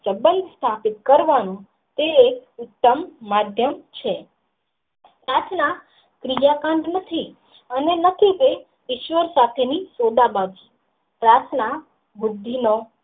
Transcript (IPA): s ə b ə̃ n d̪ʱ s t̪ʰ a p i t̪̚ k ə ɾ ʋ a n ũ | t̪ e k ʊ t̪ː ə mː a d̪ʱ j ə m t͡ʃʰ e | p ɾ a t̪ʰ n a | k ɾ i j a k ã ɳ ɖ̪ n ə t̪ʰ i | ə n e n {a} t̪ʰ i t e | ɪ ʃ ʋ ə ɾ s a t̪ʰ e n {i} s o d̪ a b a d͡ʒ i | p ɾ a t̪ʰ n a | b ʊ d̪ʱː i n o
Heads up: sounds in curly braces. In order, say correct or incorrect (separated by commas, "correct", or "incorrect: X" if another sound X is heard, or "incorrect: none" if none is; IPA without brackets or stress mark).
incorrect: ə, correct